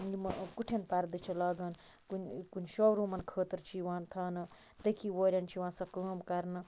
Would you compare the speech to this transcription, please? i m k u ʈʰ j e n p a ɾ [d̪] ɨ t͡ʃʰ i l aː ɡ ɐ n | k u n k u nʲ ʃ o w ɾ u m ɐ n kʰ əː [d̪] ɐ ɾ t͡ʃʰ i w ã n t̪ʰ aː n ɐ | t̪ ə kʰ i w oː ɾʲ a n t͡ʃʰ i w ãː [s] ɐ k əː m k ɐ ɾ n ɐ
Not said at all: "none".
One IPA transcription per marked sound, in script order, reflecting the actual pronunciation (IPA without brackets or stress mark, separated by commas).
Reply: d̪, t̪, s